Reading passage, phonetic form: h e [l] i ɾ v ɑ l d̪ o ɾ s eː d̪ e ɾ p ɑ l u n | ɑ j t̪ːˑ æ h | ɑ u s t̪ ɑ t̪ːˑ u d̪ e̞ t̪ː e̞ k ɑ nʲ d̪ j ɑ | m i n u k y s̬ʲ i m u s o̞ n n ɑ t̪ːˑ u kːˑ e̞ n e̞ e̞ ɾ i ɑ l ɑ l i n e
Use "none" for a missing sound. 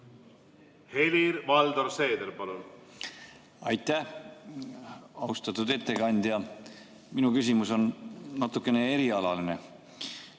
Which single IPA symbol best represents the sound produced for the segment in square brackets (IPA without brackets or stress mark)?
l